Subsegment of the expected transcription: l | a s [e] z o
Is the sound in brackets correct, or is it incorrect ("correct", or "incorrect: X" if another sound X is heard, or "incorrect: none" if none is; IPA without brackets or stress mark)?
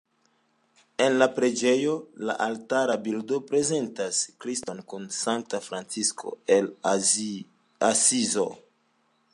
incorrect: i